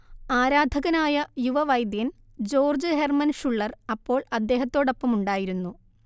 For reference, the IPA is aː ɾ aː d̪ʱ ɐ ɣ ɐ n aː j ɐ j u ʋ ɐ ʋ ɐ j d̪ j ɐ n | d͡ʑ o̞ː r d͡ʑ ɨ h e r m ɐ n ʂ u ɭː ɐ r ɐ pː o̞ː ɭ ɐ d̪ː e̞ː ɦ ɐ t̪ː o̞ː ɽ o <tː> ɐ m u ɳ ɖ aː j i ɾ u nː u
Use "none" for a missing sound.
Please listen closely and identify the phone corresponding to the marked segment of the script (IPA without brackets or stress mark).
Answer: pː